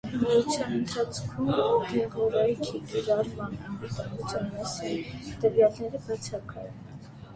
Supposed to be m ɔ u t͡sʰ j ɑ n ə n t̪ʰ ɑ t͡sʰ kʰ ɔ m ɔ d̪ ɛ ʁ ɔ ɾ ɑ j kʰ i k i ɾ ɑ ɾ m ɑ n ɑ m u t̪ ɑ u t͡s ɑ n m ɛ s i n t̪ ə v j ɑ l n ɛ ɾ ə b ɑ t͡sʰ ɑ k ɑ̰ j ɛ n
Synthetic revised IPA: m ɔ u t͡sʰ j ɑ n ə n t̪ʰ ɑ t͡sʰ kʰ u m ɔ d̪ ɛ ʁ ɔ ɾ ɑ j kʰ i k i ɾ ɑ ɾ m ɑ n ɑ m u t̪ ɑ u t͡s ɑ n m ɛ s i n t̪ ə v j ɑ l n ɛ ɾ ə b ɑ t͡sʰ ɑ k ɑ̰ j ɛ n